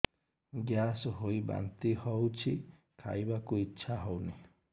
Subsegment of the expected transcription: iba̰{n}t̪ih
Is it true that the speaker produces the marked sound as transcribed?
yes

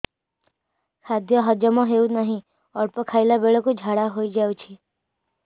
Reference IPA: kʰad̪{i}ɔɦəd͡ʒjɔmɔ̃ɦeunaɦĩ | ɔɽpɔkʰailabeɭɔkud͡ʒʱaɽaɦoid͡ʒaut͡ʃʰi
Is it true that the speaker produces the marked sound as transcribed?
no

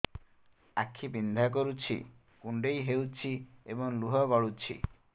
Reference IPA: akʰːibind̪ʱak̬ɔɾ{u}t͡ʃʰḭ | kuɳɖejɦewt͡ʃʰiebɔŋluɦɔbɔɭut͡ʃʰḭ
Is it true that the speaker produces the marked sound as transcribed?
yes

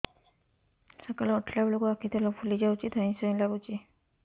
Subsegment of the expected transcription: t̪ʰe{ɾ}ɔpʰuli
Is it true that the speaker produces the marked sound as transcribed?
no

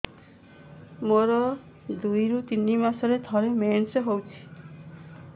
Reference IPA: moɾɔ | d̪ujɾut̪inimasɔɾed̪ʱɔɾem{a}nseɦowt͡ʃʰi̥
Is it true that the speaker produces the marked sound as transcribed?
no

